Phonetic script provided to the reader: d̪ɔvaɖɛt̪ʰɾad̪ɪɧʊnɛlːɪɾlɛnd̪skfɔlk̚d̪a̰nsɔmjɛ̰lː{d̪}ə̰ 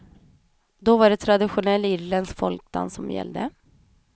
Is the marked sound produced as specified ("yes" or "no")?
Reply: yes